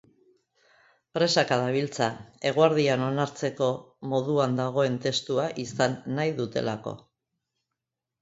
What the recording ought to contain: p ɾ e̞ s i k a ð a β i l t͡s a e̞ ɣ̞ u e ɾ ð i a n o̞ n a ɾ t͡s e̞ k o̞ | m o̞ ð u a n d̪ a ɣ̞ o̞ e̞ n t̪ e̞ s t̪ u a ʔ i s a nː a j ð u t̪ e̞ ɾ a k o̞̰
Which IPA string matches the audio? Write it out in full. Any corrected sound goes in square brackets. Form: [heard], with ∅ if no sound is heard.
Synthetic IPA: p ɾ e̞ s [a] k a ð a β i l t͡s a e̞ ɣ̞ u [a] ɾ ð i a n o̞ n a ɾ t͡s e̞ k o̞ | m o̞ ð u a n d̪ a ɣ̞ o̞ e̞ n t̪ e̞ s t̪ u a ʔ i s a nː a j ð u t̪ e̞ [l] a k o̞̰